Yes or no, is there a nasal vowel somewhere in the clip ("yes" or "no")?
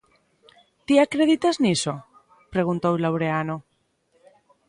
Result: no